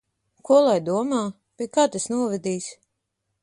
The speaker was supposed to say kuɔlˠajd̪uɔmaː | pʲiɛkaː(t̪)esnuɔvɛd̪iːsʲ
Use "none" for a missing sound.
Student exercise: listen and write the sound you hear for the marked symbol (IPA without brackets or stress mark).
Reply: t̪